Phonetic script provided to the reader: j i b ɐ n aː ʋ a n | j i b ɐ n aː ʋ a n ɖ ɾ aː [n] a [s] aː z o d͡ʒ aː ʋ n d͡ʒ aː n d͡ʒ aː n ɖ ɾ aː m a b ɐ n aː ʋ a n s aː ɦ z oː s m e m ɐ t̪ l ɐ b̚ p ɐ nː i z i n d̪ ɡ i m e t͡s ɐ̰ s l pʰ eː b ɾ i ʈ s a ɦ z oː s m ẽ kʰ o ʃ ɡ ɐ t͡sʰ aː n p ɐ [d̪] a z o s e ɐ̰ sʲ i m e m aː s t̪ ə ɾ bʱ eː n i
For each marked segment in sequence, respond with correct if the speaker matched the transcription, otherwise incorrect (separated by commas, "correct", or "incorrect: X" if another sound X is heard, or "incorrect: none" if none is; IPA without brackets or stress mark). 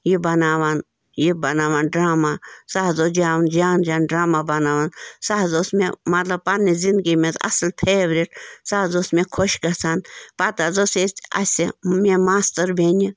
incorrect: m, correct, incorrect: t̪